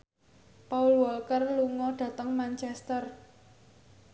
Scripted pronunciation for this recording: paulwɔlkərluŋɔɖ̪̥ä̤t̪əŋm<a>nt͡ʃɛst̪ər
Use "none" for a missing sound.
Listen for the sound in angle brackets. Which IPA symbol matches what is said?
a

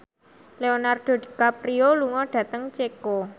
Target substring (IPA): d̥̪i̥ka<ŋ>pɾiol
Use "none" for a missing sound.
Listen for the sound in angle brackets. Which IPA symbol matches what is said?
none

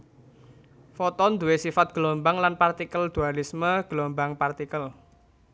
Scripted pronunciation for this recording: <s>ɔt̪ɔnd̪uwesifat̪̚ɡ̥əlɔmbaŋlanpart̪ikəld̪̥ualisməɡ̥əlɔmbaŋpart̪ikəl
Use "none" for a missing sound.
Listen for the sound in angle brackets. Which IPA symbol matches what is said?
f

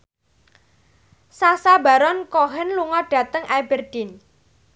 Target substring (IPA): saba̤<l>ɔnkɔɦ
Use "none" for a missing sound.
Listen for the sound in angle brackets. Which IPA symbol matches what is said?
ɾ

